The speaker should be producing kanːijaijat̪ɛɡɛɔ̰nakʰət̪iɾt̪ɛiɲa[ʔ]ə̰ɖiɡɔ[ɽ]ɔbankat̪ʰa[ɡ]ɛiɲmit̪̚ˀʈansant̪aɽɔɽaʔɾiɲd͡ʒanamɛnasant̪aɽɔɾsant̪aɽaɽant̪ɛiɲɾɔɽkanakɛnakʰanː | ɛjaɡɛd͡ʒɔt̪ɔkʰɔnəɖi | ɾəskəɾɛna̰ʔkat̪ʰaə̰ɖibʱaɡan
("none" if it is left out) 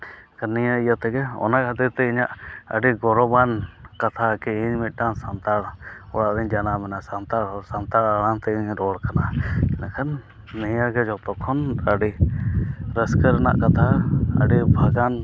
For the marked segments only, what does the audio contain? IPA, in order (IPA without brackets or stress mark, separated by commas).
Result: ʔ, ɾ, k